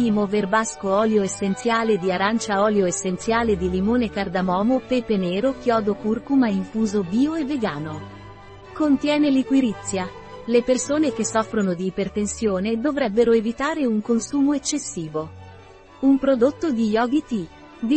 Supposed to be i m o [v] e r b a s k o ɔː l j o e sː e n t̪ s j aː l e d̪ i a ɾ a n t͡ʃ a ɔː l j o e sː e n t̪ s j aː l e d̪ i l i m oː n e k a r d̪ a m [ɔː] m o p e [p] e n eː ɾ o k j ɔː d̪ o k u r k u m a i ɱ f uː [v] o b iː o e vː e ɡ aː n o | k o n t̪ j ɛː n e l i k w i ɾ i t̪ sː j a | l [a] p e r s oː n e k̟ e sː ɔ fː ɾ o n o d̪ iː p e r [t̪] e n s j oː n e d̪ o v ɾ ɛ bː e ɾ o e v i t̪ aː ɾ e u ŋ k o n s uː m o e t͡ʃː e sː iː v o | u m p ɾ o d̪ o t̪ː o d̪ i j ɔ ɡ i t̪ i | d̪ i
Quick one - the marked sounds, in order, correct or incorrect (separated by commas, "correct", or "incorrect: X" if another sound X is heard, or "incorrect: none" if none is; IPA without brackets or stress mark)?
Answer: correct, correct, correct, incorrect: z, incorrect: e, correct